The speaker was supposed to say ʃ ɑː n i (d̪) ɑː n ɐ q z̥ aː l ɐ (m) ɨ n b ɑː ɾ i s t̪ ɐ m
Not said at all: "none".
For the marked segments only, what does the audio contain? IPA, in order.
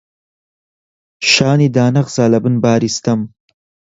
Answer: d̪, b

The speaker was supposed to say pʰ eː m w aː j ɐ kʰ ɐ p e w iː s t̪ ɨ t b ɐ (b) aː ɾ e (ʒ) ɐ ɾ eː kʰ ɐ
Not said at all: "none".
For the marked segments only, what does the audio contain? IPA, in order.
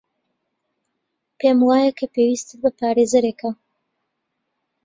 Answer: p, z

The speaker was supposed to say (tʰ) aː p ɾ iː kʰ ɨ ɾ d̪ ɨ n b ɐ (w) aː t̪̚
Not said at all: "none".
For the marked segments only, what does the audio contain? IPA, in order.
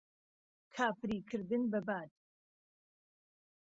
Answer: kʰ, b

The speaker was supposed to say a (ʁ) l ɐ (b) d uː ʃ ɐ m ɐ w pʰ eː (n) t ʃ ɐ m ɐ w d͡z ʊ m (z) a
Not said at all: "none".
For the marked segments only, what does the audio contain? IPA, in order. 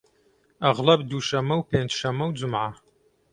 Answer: ʁ, b, n, ʕ

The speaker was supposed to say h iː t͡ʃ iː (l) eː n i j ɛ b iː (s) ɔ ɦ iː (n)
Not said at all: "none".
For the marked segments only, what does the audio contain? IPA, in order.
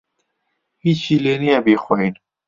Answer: l, x, n

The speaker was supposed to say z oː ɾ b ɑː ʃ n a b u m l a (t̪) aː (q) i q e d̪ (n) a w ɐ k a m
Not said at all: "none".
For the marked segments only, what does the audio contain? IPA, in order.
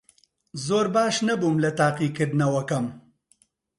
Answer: t̪, q, n

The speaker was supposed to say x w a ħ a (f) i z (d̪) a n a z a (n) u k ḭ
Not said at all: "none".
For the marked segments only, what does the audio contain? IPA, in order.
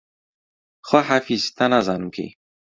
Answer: f, t̪, n

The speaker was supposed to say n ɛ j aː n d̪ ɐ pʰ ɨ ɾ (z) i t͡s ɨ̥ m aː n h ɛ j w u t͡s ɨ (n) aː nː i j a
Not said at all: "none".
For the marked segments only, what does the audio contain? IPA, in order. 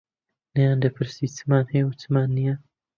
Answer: s, m

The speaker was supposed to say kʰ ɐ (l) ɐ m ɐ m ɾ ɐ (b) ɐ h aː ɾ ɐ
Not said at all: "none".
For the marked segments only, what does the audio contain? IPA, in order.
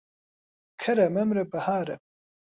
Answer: ɾ, b

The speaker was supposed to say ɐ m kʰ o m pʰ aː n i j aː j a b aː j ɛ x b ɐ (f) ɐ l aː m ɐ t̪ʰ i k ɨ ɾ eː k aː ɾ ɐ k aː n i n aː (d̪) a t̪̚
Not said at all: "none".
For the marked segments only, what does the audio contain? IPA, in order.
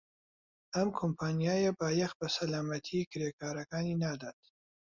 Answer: s, d̪

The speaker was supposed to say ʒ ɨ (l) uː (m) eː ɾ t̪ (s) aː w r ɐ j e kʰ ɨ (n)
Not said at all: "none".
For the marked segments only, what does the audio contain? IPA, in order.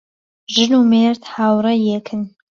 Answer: l, m, h, n

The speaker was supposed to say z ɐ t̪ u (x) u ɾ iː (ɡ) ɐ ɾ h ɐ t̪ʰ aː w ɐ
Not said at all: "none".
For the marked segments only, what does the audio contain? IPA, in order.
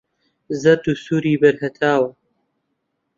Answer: s, b

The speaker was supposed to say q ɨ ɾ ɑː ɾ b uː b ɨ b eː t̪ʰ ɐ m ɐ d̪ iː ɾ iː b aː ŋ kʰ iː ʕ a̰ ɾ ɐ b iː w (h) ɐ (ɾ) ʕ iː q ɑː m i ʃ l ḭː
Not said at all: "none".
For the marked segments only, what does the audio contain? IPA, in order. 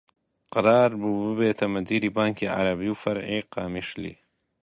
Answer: f, ɾ

